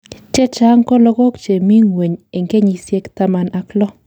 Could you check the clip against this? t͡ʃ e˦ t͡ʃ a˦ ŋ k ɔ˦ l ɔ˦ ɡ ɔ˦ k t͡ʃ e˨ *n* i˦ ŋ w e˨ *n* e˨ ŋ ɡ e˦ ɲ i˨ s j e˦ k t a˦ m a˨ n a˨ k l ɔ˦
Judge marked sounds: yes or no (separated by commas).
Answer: no, no